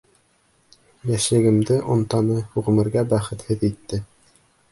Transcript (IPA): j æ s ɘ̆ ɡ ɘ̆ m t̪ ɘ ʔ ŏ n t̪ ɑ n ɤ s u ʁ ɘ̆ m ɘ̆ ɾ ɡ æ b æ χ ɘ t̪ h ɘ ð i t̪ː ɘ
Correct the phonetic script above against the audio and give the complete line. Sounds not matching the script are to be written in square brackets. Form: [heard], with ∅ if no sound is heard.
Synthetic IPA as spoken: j æ [ʃ] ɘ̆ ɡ ɘ̆ m [d̪] ɘ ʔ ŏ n t̪ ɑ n ɤ [h] u ʁ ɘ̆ m ɘ̆ ɾ ɡ æ b æ χ ɘ t̪ h ɘ ð i t̪ː ɘ